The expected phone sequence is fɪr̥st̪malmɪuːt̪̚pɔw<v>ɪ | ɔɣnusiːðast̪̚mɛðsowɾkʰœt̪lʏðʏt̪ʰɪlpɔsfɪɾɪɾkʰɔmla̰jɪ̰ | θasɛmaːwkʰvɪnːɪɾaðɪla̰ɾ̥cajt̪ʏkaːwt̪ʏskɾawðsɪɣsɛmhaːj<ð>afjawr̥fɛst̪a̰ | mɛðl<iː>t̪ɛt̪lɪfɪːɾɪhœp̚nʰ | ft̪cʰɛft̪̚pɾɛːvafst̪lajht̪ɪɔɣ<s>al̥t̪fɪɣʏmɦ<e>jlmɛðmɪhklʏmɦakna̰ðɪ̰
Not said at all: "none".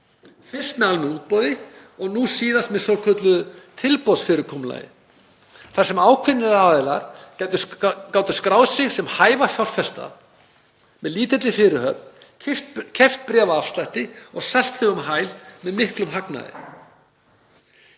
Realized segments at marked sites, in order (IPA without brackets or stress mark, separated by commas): ð, v, iː, s, a